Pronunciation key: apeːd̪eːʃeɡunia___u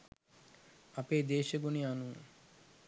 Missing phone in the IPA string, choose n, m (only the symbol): n